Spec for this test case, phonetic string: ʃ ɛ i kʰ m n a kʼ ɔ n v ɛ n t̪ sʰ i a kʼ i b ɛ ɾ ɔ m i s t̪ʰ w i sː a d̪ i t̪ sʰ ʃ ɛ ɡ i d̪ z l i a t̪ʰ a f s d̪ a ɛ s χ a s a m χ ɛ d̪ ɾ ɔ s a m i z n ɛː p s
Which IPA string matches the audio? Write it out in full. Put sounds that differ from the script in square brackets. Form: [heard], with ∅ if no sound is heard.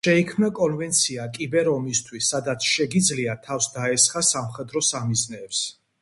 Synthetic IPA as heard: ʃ ɛ i kʰ m n a kʼ ɔ n v ɛ n t̪ sʰ i a kʼ i b ɛ ɾ ɔ m i s t̪ʰ w i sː a d̪ [a] t̪ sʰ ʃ ɛ ɡ i d̪ z l i a t̪ʰ a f s d̪ a ɛ s χ a s a m χ ɛ d̪ ɾ ɔ s a m i z n ɛː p s